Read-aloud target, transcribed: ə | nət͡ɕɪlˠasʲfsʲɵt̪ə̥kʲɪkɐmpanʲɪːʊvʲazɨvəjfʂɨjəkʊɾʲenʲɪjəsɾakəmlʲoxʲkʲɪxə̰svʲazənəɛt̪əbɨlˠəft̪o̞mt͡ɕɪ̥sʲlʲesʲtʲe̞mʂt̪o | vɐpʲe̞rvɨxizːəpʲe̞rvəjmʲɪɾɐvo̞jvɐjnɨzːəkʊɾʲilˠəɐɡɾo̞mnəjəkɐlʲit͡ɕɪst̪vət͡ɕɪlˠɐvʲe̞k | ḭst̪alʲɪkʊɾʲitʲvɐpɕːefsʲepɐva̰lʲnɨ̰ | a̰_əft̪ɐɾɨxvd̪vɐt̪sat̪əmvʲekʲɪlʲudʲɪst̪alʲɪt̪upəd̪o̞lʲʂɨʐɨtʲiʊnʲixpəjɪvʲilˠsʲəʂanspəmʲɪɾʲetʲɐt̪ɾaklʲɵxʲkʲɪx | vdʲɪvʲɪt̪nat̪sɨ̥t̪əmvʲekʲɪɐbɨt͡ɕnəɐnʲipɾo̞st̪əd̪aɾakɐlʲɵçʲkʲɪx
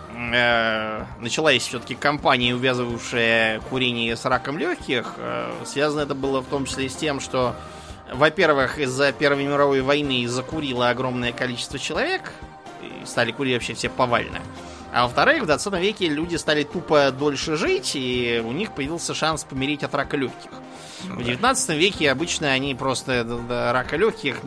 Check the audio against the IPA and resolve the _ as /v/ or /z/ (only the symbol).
v